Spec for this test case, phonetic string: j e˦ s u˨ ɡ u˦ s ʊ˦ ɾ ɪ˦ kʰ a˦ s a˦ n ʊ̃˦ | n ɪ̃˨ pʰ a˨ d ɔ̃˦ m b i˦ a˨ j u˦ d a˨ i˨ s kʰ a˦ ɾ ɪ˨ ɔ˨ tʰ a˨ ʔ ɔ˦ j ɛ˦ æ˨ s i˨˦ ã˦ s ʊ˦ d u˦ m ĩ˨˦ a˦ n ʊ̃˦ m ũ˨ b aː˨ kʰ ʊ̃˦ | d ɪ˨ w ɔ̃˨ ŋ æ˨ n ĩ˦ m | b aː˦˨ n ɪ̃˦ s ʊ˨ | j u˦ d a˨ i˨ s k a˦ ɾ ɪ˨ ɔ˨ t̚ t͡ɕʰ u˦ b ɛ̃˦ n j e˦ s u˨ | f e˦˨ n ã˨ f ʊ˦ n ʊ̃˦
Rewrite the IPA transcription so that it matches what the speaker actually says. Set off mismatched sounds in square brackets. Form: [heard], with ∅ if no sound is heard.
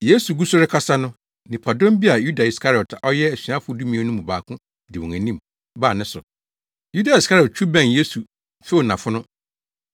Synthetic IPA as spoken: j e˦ s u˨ ɡ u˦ s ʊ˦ ɾ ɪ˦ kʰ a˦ s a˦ n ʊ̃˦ | n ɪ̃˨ pʰ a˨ d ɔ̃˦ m b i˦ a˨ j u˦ d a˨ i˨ s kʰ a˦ ɾ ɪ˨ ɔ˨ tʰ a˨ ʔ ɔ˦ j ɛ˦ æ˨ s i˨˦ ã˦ [f] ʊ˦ d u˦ m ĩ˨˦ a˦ n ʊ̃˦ m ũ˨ b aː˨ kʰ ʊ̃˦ | d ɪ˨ w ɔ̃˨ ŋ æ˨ n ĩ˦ m | b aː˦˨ n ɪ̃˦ s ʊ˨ | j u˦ d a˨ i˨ s k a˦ ɾ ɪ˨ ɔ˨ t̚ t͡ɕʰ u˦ b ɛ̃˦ n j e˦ s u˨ | f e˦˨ n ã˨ f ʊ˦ n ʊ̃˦